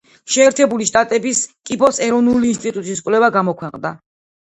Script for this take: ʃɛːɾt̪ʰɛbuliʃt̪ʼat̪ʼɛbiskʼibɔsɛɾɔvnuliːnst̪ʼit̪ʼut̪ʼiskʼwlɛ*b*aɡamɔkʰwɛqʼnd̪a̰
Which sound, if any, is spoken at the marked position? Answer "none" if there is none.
v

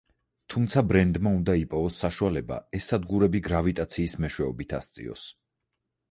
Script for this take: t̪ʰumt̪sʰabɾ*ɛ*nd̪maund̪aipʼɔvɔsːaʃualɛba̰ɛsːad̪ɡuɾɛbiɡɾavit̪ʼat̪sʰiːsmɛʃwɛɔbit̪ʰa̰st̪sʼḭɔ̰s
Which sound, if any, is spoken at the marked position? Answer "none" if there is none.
ɛ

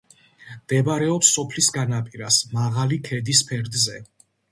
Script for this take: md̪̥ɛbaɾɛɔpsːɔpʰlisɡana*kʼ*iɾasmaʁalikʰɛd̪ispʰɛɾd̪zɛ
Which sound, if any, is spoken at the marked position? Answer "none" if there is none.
pʼ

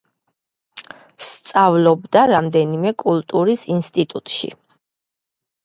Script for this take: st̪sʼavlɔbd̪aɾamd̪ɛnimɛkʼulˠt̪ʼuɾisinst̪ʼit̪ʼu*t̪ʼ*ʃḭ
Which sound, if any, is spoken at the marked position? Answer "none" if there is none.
t̪ʼ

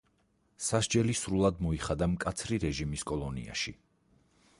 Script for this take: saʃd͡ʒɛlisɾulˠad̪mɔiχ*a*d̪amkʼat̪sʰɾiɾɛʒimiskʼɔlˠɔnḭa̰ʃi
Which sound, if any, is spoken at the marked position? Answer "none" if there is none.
a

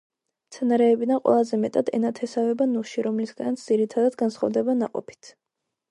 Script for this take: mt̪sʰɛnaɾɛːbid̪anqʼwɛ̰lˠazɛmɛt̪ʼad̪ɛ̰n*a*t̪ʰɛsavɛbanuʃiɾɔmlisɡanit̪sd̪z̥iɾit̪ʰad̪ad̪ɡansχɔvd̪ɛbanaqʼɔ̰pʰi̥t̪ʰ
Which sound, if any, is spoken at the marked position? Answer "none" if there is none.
a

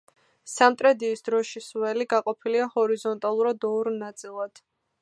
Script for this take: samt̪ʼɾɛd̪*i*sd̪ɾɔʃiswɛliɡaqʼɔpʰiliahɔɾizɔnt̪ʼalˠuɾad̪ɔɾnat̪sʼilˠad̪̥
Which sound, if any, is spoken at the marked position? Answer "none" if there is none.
iː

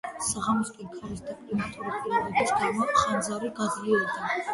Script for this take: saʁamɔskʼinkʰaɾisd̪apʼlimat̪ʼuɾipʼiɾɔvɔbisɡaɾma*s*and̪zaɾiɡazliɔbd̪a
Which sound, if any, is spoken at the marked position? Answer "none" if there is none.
χ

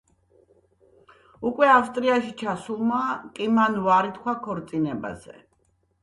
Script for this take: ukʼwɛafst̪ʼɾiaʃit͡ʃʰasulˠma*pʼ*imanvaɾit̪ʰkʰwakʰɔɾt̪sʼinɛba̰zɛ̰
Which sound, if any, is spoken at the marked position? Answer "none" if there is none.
kʼ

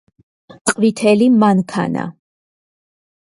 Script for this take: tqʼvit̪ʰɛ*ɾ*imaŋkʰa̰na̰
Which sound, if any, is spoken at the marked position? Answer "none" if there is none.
l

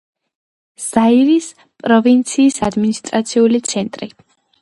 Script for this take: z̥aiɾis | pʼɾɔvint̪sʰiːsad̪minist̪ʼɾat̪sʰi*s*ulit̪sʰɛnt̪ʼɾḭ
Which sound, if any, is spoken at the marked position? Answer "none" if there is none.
none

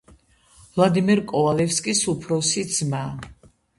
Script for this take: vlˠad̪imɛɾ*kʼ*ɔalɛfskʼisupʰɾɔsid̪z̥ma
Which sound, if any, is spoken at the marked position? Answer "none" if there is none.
kʼ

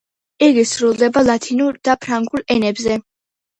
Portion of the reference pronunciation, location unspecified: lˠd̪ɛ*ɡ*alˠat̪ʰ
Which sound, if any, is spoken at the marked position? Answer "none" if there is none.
b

